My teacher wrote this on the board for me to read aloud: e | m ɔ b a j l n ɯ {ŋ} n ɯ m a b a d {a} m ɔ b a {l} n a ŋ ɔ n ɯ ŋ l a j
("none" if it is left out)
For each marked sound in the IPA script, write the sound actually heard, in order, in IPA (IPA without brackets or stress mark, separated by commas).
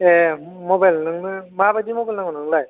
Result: ŋ, i, l